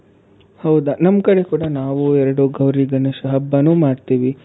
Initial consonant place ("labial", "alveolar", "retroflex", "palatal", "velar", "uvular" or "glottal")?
glottal